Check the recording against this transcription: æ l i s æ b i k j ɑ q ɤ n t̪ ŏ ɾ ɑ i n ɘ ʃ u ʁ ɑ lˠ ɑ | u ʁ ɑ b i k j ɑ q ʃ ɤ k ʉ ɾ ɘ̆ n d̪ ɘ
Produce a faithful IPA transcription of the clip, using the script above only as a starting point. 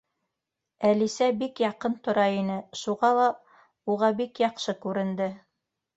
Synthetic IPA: æ l i s æ b i k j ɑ q ɤ n t̪ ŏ ɾ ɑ i n ɘ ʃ u ʁ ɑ lˠ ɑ | u ʁ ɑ b i k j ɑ q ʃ ɤ k ʉ ɾ ɘ̆ n d̪ ɘ